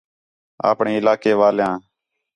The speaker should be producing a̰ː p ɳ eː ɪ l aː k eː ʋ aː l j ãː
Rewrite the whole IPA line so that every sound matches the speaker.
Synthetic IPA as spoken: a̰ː p ɳ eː ɪ l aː k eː ʋ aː l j ãː